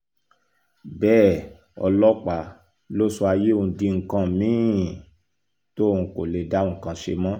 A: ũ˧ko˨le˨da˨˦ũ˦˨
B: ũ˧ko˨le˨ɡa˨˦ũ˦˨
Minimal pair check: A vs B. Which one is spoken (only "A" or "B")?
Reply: A